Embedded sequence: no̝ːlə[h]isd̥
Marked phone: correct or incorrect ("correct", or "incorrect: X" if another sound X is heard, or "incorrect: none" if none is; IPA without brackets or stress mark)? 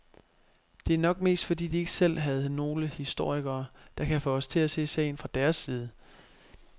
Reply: correct